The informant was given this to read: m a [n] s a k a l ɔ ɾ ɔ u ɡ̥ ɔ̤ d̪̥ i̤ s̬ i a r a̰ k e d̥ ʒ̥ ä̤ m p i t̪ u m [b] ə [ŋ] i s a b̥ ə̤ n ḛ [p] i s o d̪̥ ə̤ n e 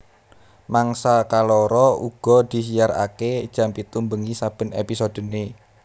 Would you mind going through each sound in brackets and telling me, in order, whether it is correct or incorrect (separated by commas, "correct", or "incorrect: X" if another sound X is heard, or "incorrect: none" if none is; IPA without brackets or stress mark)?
incorrect: ŋ, correct, correct, correct